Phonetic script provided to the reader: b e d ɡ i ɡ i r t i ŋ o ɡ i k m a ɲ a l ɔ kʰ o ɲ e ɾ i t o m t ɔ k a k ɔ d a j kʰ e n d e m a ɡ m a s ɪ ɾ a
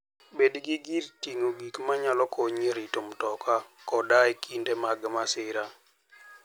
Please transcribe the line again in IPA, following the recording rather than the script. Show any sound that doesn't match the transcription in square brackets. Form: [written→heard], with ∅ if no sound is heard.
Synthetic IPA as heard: b e d ɡ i ɡ i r t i ŋ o ɡ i k m a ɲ a l ɔ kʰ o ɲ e ɾ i t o m t ɔ k a k ɔ d a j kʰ [e→i] n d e m a ɡ m a s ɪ ɾ a